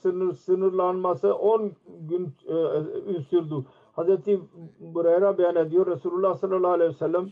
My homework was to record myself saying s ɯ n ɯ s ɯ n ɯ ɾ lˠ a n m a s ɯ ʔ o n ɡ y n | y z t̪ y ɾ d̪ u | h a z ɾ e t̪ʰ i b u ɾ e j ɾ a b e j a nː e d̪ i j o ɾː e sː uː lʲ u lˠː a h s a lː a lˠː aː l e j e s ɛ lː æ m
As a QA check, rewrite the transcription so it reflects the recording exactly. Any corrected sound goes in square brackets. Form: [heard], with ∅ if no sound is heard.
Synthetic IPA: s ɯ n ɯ s ɯ n ɯ ɾ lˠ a n m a s ɯ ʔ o n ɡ y n | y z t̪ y ɾ d̪ u | h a z ɾ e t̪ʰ i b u ɾ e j ɾ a b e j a [n] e d̪ i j o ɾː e [s] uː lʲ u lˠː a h s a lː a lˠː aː l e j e s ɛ lː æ m